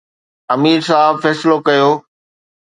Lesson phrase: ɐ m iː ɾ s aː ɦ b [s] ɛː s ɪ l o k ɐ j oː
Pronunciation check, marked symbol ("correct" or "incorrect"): incorrect